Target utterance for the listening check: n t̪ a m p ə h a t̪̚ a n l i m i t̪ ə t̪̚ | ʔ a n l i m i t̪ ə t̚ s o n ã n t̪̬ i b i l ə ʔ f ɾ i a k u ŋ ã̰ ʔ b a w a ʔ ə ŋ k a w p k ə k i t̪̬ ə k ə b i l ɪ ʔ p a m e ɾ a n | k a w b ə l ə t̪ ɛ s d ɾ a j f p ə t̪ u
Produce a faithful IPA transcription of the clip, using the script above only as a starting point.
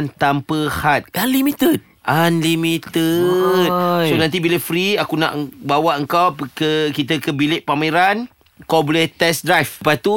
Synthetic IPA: n t̪ a m p ə h a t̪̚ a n l i m i t̪ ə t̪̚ | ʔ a n l i m i t̪ ə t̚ s o n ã n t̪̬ i b i l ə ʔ f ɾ i a k u n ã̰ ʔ b a w a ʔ ə ŋ k a w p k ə k i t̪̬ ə k ə b i l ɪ ʔ p a m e ɾ a n | k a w b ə l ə t̪ ɛ s d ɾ a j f p a t̪ u